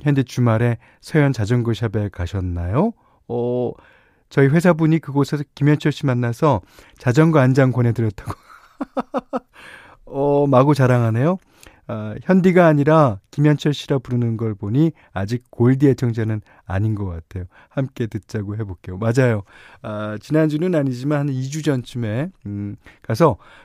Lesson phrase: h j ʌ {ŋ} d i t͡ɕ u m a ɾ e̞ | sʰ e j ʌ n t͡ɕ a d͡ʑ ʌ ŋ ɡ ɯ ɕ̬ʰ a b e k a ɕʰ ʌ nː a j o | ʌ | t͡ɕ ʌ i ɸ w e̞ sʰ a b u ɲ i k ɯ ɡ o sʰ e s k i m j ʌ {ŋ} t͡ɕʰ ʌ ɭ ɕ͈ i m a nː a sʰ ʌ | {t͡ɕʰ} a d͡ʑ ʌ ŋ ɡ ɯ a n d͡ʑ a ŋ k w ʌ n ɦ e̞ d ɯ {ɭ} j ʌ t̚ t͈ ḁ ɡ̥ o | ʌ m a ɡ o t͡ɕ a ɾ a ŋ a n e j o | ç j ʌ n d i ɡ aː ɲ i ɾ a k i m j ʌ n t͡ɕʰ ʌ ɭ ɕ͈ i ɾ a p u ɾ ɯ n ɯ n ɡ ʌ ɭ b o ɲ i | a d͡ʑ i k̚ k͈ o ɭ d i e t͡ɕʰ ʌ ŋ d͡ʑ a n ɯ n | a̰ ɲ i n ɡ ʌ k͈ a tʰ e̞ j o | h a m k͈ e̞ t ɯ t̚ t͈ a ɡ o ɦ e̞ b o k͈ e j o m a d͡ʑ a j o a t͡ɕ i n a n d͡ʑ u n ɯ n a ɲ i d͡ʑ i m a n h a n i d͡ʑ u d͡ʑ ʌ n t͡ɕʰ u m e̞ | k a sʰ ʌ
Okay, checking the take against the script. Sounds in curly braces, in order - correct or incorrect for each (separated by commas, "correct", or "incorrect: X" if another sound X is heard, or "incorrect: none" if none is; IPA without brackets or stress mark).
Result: incorrect: n, incorrect: n, incorrect: t͡ɕ, incorrect: ɾ